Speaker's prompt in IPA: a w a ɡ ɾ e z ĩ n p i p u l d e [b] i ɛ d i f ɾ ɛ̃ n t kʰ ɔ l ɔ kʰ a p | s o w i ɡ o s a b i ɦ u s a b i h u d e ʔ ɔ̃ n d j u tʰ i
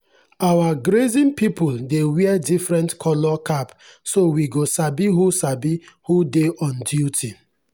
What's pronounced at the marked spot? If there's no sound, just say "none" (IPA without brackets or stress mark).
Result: w